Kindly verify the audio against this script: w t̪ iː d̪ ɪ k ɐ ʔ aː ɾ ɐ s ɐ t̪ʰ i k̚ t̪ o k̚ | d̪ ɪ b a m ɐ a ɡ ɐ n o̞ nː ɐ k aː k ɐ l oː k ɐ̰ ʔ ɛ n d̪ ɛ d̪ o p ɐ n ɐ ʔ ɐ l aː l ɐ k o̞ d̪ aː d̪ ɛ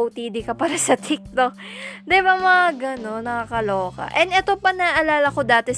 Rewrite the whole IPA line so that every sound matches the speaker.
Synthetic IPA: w t̪ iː d̪ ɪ k ɐ p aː ɾ ɐ s ɐ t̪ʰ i k̚ t̪ o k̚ | d̪ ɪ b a m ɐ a ɡ ɐ n o̞ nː ɐ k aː k ɐ l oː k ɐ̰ ʔ ɛ n d̪ ɛ t̪ o p ɐ n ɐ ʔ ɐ l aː l ɐ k o̞ d̪ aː t̪ ɛ